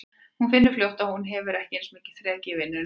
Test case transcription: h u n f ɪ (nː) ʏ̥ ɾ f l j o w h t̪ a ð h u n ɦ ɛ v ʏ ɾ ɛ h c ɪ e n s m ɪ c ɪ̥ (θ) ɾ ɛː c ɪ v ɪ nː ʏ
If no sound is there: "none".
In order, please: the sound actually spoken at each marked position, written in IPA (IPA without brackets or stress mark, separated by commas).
nː, θ